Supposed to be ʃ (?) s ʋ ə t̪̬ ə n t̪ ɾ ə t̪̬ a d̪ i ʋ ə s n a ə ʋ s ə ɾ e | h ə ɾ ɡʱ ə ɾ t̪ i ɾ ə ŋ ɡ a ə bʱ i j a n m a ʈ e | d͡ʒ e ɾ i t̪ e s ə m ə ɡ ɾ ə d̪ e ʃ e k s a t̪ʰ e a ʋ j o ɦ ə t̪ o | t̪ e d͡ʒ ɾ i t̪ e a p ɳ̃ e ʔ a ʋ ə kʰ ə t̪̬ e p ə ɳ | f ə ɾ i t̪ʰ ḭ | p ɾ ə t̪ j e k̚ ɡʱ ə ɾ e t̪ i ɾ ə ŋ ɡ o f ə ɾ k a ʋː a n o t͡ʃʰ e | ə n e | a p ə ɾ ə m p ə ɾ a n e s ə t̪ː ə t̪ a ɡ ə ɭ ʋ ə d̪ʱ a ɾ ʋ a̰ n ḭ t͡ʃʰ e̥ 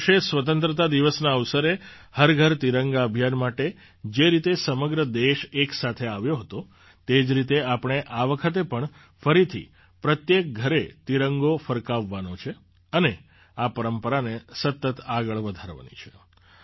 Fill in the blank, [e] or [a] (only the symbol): e